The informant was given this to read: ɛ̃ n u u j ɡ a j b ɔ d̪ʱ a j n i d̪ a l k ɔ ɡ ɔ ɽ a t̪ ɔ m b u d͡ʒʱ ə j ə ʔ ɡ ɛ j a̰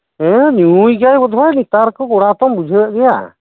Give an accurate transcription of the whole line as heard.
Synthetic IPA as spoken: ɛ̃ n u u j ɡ a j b ɔ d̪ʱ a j n i t̪ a ɾ k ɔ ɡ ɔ ɽ a t̪ ɔ m b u d͡ʒʱ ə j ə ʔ ɡ ɛ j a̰